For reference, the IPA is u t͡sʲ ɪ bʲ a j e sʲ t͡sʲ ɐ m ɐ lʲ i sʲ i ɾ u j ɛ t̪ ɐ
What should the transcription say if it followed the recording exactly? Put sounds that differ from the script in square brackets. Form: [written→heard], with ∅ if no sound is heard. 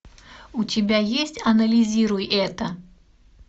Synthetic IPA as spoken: u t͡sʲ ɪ bʲ a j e sʲ t͡sʲ ɐ [m→n] ɐ lʲ i [sʲ→zʲ] i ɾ u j ɛ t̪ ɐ